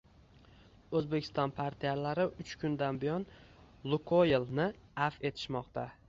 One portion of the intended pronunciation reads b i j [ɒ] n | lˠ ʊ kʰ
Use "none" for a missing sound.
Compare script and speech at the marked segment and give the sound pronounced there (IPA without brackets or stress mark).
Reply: ɒ